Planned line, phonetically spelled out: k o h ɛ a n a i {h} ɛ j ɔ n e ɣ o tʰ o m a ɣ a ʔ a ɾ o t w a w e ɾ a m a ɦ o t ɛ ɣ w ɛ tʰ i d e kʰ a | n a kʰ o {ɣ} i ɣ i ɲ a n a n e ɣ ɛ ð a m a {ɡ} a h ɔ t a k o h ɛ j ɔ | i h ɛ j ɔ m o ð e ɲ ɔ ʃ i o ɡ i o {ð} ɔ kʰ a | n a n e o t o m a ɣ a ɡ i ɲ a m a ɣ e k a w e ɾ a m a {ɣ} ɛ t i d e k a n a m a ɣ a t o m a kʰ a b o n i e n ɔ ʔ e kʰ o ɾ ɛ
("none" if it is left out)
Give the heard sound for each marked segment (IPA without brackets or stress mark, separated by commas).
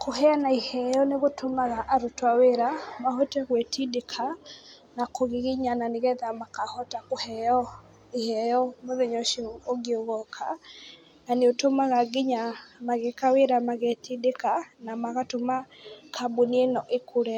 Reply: h, ɣ, k, ɣ, ɣ